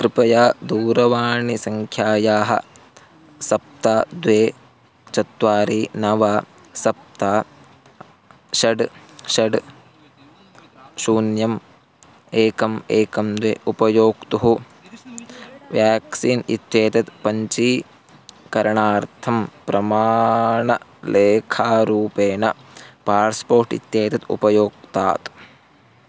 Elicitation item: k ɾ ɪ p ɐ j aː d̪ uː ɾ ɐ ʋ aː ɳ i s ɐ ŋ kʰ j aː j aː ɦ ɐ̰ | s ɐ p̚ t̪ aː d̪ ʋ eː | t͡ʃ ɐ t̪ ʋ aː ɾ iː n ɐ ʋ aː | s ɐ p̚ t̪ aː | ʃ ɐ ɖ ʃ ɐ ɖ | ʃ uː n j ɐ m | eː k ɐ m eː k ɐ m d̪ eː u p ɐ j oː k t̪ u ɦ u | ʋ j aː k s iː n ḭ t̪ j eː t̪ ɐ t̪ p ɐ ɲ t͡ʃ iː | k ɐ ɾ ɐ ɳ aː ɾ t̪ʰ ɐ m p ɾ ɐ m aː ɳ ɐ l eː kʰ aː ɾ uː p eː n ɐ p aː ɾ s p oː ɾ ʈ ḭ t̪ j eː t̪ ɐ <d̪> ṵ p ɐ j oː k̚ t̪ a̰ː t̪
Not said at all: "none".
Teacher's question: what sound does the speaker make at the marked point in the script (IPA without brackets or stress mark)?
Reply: t̪